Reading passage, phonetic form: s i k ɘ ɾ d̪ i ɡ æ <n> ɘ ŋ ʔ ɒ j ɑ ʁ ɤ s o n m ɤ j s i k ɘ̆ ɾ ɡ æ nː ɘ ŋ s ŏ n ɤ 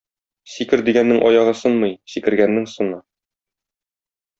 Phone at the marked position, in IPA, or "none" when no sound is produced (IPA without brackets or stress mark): nː